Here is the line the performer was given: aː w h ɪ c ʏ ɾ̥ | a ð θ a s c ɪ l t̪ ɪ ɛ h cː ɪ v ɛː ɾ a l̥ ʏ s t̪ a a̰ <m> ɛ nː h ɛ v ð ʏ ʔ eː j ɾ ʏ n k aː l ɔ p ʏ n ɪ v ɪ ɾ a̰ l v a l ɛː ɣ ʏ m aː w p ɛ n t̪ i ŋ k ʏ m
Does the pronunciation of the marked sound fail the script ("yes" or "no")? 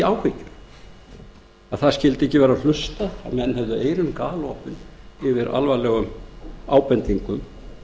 no